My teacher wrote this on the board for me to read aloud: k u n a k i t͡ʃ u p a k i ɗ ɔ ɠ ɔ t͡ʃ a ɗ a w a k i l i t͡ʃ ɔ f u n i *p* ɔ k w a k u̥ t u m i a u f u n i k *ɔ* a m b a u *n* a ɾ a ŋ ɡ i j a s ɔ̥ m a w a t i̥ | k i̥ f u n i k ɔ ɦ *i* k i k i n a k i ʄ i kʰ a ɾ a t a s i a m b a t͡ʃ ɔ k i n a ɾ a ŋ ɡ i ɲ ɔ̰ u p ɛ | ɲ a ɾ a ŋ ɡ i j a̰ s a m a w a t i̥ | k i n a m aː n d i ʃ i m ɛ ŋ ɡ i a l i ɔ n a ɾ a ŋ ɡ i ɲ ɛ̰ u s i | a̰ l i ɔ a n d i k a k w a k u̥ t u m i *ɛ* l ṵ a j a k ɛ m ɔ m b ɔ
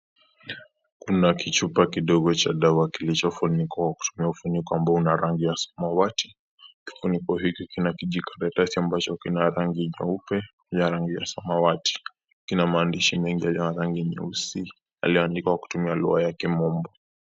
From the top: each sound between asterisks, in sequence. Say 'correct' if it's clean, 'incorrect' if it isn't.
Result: incorrect, correct, correct, correct, incorrect

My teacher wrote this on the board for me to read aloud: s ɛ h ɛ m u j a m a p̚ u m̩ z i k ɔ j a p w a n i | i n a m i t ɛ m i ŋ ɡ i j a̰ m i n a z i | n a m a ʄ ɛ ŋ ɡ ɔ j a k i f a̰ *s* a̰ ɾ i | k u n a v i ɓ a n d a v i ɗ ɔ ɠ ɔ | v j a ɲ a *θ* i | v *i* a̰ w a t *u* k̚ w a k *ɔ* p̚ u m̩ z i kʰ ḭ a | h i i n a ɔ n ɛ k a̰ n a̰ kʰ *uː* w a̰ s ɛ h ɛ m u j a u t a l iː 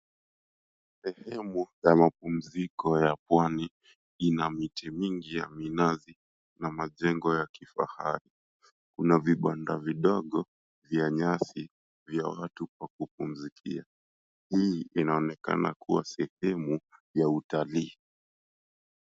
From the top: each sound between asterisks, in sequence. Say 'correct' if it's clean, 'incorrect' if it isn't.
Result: incorrect, incorrect, incorrect, correct, incorrect, incorrect

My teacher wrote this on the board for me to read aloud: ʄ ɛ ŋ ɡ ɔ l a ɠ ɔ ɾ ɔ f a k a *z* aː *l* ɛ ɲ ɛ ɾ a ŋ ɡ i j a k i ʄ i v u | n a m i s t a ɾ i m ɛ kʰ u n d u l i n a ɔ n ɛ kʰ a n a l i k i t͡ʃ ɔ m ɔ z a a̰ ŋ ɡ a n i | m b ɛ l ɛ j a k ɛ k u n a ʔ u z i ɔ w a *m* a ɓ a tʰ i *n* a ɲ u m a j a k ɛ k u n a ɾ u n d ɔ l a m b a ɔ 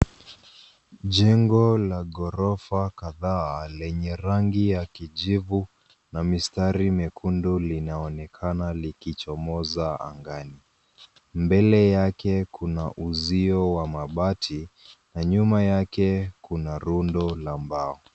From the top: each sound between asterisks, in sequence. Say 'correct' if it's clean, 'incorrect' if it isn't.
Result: incorrect, correct, correct, correct

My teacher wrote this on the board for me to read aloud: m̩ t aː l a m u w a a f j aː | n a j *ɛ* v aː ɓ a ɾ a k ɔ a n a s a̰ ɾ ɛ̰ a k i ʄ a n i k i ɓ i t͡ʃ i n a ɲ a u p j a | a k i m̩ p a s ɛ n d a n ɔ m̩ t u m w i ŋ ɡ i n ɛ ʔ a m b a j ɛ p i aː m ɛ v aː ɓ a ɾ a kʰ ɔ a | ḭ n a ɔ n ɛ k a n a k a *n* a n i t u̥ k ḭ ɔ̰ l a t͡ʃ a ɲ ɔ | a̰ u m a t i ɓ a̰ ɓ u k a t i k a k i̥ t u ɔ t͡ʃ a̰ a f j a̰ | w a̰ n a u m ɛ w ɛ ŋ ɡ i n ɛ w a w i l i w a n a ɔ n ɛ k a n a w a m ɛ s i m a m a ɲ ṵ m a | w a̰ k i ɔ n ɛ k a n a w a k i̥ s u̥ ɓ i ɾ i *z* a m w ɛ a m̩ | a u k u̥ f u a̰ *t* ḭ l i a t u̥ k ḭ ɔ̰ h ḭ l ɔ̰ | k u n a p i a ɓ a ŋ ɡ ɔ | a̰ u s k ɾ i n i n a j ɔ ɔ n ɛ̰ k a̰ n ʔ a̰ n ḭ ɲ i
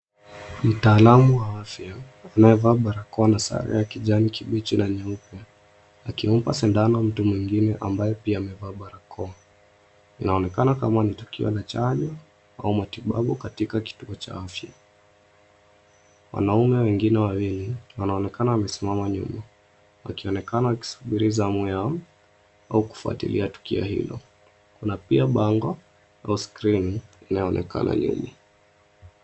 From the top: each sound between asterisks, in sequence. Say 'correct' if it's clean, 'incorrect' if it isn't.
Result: correct, incorrect, correct, correct

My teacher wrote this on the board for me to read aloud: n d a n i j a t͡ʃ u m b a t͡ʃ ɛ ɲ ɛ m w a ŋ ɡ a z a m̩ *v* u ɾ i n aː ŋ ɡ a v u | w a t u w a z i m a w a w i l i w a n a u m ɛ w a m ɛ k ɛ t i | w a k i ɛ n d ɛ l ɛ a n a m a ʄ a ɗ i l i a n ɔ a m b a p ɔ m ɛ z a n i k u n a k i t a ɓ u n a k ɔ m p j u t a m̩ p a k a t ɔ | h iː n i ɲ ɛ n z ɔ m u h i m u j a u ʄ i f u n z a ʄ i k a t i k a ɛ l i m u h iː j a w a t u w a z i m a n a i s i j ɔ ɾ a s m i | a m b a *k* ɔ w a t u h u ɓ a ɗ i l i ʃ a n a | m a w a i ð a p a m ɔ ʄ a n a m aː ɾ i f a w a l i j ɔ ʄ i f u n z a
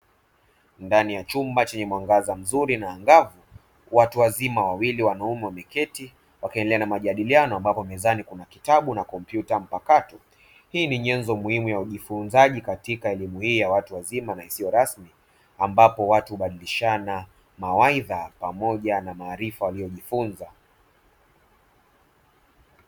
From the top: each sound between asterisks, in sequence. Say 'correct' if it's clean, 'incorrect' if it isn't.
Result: incorrect, incorrect

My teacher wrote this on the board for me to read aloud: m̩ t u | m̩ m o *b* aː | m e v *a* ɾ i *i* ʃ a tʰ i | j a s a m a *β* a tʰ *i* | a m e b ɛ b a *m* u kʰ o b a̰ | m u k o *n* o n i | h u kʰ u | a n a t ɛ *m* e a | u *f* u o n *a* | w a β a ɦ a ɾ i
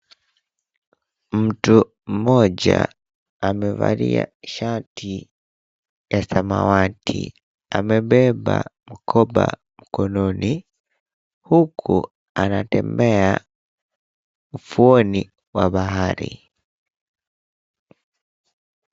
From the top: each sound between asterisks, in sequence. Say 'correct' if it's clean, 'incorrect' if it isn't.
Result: incorrect, correct, incorrect, incorrect, correct, correct, correct, correct, correct, incorrect

